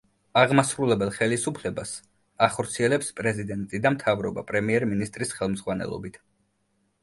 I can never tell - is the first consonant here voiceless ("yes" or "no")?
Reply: no